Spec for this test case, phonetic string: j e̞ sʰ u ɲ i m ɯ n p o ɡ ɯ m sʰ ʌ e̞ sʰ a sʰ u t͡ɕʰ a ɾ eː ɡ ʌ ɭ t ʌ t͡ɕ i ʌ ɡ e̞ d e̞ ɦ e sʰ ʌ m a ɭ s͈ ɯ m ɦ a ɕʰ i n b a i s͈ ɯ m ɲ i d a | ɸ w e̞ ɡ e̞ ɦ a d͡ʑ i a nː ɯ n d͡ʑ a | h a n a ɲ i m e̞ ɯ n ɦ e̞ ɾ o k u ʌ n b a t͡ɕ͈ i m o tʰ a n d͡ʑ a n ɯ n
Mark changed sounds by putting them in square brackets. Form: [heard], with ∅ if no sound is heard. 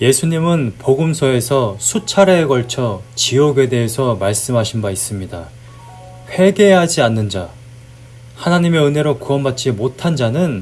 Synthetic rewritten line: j e̞ sʰ u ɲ i m ɯ n p o ɡ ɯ m sʰ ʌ e̞ sʰ [ʌ] sʰ u t͡ɕʰ a ɾ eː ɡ ʌ ɭ [t͡ɕʰ] ʌ t͡ɕ i ʌ ɡ e̞ d e̞ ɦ e sʰ ʌ m a ɭ s͈ ɯ m ɦ a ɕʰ i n b a i s͈ ɯ m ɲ i d a | ɸ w e̞ ɡ e̞ ɦ a d͡ʑ i a nː ɯ n d͡ʑ a | h a n a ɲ i m e̞ ɯ n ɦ e̞ ɾ o k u ʌ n b a t͡ɕ͈ i m o tʰ a n d͡ʑ a n ɯ n